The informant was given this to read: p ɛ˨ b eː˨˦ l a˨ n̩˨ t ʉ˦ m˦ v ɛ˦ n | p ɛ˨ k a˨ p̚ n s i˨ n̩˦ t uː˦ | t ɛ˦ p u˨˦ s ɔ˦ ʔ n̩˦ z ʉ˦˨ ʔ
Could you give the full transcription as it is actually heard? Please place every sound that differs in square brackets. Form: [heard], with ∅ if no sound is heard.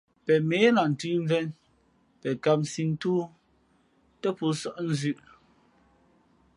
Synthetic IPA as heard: p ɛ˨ [m] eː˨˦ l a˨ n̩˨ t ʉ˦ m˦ v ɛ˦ n | p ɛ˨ k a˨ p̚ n s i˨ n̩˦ t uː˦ | t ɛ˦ p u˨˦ s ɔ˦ ʔ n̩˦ z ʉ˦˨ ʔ